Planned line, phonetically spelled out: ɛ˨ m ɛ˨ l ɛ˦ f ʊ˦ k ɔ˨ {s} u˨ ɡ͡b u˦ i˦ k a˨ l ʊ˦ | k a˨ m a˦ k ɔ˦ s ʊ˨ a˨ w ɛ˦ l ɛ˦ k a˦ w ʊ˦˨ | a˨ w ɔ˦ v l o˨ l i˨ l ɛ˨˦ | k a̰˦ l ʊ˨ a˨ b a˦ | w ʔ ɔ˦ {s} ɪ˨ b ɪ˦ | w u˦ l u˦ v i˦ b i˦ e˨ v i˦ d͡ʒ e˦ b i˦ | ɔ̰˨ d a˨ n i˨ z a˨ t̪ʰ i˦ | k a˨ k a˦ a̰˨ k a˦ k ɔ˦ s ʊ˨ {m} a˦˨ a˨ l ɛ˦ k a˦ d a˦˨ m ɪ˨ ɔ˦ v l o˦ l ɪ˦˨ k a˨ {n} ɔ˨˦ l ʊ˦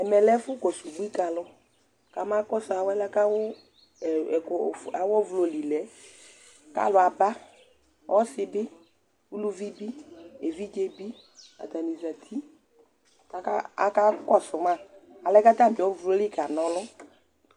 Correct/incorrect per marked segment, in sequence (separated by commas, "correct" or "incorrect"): correct, correct, correct, correct